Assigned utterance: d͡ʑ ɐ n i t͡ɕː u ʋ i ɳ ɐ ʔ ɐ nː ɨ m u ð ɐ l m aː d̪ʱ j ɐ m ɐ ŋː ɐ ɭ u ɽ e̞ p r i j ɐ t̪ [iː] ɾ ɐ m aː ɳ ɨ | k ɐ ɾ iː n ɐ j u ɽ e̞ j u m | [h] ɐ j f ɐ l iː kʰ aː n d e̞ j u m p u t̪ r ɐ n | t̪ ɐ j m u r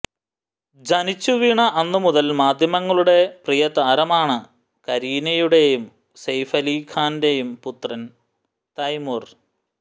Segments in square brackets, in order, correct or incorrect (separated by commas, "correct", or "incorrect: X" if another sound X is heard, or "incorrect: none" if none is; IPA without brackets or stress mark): incorrect: aː, incorrect: s